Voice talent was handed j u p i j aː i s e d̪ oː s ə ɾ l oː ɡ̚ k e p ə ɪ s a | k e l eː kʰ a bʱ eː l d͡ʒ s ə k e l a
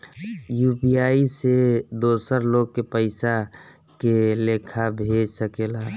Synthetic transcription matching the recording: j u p i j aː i s e d̪ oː s ə ɾ l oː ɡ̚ k e p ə ɪ s a | k e l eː kʰ a bʱ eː d͡ʒ s ə k e l a